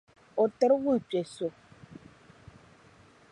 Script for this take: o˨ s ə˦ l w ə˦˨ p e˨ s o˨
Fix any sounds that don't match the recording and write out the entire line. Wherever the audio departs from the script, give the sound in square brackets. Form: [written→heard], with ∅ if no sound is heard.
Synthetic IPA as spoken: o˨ [s→t] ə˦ [l→ɾ] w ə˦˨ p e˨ s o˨